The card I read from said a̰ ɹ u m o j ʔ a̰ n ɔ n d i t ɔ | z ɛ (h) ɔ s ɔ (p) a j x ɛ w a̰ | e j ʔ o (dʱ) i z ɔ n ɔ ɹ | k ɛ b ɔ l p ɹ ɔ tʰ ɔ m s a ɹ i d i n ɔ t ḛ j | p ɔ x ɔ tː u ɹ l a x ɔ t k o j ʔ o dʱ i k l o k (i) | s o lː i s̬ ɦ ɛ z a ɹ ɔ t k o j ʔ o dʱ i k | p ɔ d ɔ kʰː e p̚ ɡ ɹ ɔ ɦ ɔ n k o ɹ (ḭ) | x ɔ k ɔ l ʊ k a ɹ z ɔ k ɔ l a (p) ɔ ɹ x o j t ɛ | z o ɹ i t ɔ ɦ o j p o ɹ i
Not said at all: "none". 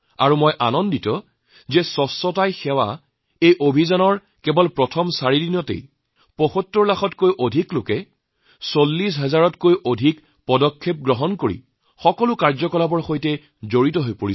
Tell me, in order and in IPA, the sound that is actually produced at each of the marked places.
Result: s, t, bʱ, ɛ, ḭ, b

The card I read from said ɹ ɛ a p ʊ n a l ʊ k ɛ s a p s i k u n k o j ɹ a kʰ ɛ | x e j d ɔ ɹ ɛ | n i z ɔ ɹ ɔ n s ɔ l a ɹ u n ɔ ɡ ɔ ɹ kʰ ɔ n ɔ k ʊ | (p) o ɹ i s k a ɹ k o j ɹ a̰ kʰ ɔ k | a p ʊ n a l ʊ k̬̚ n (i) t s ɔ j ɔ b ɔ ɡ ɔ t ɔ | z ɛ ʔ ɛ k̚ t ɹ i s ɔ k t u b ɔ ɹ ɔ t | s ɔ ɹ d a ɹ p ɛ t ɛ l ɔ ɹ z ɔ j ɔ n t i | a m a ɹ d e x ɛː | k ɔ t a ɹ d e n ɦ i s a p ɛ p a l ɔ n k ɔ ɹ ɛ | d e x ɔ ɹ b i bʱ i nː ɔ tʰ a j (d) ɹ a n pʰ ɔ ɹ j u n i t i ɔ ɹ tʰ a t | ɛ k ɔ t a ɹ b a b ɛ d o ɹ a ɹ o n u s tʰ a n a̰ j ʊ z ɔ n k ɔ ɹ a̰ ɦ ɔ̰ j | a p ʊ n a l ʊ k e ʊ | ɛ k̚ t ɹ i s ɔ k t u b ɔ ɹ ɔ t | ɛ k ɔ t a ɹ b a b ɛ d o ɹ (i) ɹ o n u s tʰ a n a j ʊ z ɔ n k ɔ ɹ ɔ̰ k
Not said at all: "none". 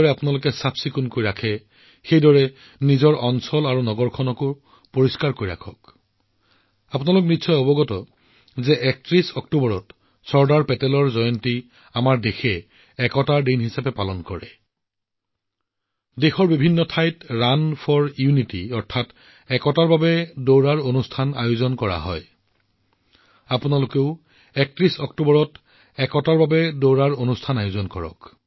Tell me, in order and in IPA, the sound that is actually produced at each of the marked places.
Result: p, i, t, a

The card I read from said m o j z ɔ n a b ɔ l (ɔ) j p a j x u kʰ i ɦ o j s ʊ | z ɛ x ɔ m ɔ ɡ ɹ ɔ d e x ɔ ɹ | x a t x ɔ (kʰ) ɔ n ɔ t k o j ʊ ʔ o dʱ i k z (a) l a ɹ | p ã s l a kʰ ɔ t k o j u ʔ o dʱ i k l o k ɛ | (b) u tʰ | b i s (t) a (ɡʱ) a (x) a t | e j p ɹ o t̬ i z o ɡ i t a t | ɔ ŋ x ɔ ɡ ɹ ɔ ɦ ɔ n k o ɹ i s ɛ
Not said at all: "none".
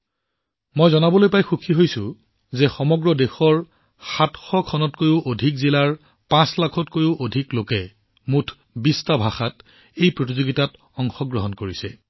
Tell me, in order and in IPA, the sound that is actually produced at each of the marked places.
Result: o, kʰ, i, m, t, bʱ, x

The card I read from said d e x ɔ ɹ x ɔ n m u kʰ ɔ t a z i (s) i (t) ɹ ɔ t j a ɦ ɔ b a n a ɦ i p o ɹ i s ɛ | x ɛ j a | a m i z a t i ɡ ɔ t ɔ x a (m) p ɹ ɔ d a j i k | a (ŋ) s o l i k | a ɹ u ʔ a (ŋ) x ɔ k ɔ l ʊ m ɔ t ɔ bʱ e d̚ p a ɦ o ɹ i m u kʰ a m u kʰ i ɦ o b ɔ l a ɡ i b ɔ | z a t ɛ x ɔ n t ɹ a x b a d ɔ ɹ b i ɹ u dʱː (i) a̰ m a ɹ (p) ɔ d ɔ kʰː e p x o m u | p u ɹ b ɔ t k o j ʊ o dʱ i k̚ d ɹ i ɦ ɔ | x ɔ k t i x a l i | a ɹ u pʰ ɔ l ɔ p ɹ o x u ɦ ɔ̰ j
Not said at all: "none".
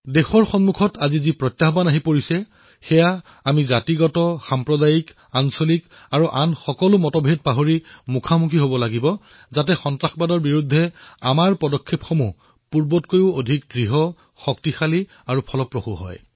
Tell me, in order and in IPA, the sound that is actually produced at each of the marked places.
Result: z, p, m, n, n, ɛ, p

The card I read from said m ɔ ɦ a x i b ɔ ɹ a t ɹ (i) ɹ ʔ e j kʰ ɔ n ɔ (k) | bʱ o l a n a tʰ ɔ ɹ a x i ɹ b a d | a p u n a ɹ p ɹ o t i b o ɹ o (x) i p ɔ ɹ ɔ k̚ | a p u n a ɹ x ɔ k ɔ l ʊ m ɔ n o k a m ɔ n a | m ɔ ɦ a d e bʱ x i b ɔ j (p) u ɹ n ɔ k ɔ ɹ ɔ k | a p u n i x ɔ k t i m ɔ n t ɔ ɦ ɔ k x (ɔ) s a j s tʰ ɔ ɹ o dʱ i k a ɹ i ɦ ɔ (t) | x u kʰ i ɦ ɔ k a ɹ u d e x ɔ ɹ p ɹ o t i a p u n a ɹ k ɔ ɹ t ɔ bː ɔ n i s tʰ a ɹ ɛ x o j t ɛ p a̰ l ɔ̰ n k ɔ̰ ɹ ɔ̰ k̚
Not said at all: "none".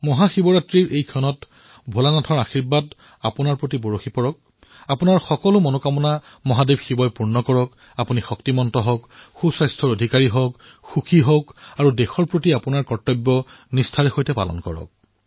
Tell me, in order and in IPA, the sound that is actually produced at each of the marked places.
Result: i, t, x, p, u, k

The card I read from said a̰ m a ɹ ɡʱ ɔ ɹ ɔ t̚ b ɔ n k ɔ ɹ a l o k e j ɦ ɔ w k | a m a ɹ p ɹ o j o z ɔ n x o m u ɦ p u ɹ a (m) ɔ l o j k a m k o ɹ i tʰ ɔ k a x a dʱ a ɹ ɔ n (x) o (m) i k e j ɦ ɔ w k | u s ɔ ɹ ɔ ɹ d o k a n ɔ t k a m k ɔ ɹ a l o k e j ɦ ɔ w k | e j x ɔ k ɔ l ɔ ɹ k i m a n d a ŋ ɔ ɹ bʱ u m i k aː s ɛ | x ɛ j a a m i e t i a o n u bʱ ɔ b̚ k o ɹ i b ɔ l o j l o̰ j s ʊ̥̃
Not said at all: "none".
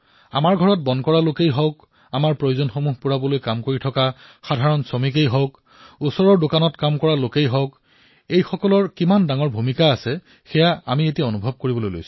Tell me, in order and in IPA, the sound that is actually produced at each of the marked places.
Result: b, s, m

